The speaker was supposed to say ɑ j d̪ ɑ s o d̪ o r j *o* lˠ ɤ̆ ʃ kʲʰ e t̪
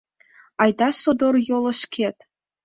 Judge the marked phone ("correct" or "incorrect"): correct